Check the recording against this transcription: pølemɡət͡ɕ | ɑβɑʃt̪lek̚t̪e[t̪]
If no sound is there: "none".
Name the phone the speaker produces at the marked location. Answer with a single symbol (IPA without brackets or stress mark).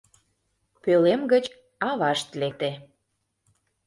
none